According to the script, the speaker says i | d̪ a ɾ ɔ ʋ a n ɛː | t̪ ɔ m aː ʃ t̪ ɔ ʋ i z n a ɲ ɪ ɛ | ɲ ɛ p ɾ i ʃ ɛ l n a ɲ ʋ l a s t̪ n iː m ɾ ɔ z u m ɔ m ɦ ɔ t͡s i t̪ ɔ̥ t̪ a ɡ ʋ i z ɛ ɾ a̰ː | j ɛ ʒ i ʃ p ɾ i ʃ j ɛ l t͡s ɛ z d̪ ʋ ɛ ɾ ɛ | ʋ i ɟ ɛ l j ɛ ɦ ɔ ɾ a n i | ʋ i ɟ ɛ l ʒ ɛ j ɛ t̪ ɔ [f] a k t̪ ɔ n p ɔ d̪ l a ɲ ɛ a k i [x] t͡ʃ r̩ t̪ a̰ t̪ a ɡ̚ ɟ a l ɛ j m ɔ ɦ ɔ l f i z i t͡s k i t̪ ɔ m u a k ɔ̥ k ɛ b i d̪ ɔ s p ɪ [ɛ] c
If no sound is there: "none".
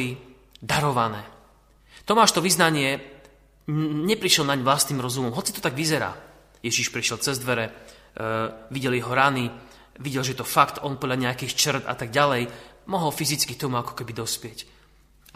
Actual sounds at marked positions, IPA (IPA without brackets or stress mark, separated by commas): f, x, ɛ